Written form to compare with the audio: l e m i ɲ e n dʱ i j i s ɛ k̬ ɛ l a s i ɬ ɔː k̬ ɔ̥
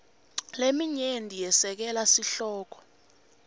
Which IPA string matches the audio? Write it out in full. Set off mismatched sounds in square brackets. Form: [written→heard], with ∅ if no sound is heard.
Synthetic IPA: l e m i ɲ e n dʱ i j [i→ɛ] s ɛ k̬ ɛ l a s i ɬ ɔː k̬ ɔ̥